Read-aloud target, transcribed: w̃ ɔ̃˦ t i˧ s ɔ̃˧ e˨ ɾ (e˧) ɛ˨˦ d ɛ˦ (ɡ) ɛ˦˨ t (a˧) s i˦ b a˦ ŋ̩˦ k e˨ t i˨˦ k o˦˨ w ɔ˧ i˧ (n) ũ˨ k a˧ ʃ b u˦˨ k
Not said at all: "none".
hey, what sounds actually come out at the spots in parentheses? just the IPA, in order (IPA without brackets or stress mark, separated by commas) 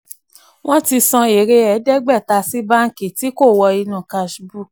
e˧, ɡ͡b, a˧, n